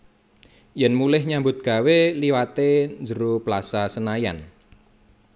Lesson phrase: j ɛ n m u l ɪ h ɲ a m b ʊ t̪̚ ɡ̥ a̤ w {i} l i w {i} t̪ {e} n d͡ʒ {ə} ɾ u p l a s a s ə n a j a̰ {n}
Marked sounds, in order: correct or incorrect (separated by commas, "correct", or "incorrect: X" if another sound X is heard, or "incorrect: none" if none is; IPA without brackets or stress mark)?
incorrect: e, incorrect: a, correct, correct, correct